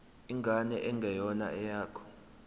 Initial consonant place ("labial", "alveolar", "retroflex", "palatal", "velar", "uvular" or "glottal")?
velar